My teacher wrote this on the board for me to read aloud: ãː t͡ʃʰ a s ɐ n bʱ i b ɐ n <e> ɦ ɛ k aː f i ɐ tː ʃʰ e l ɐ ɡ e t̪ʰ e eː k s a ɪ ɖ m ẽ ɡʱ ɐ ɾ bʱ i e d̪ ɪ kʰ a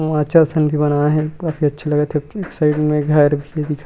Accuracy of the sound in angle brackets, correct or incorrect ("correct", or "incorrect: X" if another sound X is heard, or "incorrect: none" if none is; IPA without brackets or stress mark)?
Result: incorrect: a